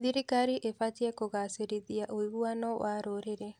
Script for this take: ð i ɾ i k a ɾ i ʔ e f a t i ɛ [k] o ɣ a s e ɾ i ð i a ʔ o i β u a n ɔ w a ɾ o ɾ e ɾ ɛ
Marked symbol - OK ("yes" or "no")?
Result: yes